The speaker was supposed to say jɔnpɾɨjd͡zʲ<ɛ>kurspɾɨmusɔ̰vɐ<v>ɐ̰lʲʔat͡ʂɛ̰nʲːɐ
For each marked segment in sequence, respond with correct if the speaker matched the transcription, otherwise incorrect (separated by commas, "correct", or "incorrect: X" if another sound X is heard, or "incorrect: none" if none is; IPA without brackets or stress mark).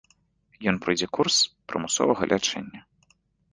correct, incorrect: ɣ